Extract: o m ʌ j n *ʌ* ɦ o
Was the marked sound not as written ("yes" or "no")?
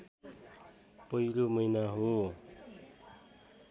yes